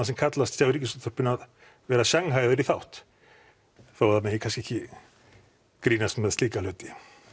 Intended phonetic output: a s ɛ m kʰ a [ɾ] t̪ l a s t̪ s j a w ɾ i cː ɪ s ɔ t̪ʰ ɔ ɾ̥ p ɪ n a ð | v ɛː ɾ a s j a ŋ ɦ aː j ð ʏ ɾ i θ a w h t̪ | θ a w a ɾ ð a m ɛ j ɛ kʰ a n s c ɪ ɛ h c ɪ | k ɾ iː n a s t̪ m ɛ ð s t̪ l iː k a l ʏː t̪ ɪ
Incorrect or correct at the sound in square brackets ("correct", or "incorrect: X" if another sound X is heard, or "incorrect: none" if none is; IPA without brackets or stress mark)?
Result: incorrect: none